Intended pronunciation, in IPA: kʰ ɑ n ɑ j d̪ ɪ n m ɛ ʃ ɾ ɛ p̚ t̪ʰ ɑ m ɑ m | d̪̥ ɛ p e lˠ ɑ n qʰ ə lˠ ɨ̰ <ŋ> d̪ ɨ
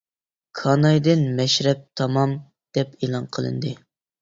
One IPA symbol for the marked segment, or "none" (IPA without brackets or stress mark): n